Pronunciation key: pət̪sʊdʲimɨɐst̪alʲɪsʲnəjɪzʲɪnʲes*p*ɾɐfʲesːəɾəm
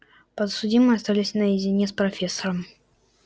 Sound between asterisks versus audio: correct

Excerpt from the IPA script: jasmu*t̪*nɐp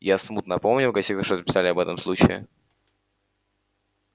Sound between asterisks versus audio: correct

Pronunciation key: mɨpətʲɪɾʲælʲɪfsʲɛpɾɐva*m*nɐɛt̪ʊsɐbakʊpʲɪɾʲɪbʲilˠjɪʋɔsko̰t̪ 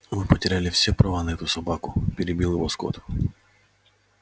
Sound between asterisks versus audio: incorrect: none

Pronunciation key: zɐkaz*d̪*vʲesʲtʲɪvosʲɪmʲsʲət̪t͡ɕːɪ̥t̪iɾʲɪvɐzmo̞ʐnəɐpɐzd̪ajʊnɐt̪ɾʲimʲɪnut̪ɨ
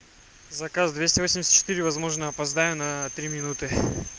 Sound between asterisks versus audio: correct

